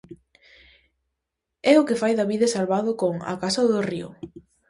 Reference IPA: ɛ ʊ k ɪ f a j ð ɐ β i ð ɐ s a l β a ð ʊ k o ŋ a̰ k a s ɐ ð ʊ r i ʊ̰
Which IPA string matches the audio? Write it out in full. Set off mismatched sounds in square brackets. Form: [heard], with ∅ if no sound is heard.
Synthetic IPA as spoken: ɛ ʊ k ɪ f a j ð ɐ β i ð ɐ s a l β a ð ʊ k o ŋ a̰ k a s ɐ ð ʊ r i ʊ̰